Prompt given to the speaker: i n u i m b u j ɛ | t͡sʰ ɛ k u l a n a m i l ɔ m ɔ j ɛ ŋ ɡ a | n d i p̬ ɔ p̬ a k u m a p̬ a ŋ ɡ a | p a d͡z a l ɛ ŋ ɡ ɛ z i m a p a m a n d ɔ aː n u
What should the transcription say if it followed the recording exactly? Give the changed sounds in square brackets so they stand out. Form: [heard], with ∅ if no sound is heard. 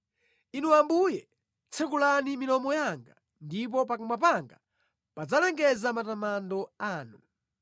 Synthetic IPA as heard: i n u [a] m b u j ɛ | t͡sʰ ɛ k u l a n [i] m i l ɔ m ɔ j [a] ŋ ɡ a | n d i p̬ ɔ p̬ a k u m a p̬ a ŋ ɡ a | p a d͡z a l ɛ ŋ ɡ ɛ z [a] m a [t] a m a n d ɔ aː n u

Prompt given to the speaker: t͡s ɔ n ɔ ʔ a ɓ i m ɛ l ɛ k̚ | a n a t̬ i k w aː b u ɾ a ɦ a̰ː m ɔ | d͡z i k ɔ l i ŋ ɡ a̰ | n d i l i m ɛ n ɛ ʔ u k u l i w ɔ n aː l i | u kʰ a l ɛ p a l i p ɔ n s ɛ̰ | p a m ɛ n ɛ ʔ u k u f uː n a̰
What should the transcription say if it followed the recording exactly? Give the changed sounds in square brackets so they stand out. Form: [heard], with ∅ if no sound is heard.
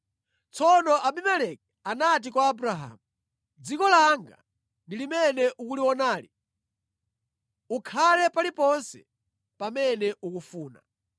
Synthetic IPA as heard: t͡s ɔ n ɔ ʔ a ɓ i m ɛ l ɛ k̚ | a n a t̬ i k w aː b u ɾ a ɦ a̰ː m [u] | d͡z i k ɔ l [a] ŋ ɡ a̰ | n d i l i m ɛ n ɛ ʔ u k u l i w ɔ n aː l i | u kʰ a l ɛ p a l i p ɔ n s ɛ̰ | p a m ɛ n ɛ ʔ u k u f uː n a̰

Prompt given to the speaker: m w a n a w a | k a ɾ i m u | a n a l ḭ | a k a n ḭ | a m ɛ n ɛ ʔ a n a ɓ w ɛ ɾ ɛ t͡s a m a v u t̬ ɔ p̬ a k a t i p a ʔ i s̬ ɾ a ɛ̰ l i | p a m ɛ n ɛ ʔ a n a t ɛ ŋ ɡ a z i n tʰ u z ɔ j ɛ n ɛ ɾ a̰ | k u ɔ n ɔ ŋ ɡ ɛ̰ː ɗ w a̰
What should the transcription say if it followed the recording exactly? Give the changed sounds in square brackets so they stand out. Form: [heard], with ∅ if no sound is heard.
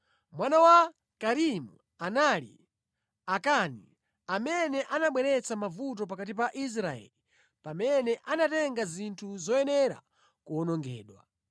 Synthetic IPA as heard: m w a n a w a | k a ɾ i m u | a n a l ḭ | a k a n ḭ | a m ɛ n ɛ ʔ a n a ɓ w ɛ ɾ ɛ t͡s a m a v u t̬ ɔ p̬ a k a t i p a ʔ i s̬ ɾ a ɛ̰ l i | p a m ɛ n ɛ ʔ a n a t ɛ ŋ ɡ a z i n tʰ u z ɔ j ɛ n ɛ ɾ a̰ | k u ɔ n ɔ ŋ ɡ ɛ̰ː ɗ w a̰

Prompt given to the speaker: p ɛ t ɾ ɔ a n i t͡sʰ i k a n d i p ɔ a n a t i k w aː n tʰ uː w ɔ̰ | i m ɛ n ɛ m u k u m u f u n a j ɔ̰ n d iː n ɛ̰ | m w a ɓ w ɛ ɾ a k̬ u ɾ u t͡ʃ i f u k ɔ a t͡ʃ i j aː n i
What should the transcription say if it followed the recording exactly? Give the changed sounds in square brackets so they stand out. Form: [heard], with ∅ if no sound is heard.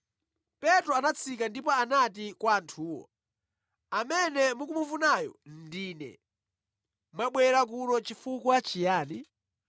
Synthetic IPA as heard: p ɛ t ɾ ɔ a n [a] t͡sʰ i k a n d i p ɔ a n a t i k w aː n tʰ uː w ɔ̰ | [a] m ɛ n ɛ m u k u m u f u n a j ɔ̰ n d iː n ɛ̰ | m w a ɓ w ɛ ɾ a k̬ u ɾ [ɔ] t͡ʃ i f u k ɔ a t͡ʃ i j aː n i

